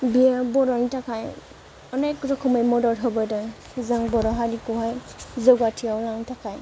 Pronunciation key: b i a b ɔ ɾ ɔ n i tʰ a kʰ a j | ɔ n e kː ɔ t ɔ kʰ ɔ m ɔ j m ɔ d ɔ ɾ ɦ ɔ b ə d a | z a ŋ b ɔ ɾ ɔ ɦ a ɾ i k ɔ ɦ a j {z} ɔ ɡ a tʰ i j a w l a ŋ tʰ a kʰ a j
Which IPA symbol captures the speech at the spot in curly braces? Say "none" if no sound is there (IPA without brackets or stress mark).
z